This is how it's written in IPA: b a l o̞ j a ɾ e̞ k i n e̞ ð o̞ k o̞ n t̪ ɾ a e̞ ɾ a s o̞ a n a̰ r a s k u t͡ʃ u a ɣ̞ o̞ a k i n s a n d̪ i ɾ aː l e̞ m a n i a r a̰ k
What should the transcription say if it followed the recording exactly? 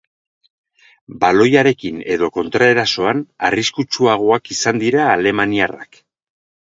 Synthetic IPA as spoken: b a l o̞ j a ɾ e̞ k i n e̞ ð o̞ k o̞ n t̪ ɾ a e̞ ɾ a s o̞ a n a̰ r i s k u t͡ʃ u a ɣ̞ o̞ a k i s a n d̪ i ɾ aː l e̞ m a n i a r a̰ k